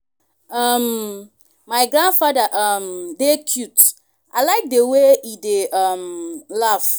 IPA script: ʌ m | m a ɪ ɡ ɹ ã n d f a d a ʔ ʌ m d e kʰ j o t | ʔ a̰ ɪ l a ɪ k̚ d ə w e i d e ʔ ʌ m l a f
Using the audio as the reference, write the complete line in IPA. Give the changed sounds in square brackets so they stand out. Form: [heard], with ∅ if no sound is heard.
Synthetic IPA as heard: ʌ m | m a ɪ ɡ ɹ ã n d f a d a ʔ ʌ m d e kʰ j [u] t | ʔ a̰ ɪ l a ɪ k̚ d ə w e i d e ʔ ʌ m l a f